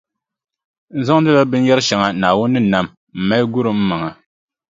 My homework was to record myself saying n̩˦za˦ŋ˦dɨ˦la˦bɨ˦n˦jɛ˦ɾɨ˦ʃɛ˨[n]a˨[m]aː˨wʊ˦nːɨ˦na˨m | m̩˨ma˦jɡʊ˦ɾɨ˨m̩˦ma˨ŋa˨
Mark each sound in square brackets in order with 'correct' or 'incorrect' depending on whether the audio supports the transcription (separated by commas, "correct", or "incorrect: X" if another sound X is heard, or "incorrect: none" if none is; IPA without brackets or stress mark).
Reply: incorrect: ŋ, incorrect: n